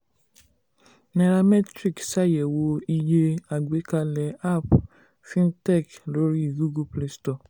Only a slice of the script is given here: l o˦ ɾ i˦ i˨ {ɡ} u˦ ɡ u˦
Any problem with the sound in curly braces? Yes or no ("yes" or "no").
no